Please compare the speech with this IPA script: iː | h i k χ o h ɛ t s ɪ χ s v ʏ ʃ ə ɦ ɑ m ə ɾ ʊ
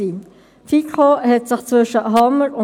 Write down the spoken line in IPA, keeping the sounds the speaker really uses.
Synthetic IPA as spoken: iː | f i k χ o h ɛ t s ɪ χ t͡s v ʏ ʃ ə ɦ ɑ m ə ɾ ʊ